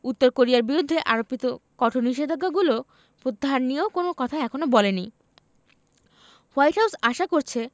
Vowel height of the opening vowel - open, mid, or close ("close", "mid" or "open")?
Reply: close